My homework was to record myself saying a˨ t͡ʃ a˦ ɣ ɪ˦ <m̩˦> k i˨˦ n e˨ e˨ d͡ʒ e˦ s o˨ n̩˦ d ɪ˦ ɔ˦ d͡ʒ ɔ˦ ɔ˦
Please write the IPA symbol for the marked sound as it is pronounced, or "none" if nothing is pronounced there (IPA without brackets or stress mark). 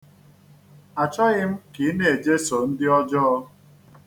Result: m̩˦